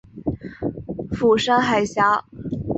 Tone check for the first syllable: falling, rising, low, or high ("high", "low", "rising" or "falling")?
low